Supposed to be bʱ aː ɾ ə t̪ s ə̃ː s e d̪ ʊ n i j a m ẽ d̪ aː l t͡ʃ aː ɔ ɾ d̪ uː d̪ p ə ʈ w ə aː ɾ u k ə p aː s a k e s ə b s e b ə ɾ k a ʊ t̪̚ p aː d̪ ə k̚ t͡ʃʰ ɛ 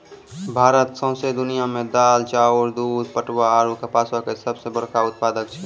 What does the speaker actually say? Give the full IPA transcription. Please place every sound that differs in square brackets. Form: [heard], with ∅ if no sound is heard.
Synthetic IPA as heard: bʱ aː ɾ ə t̪ s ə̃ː s e d̪ ʊ n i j a m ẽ d̪ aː l t͡ʃ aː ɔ ɾ d̪ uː d̪ p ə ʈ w [a] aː ɾ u k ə p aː s a k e s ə b s e b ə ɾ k a ʊ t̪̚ p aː d̪ ə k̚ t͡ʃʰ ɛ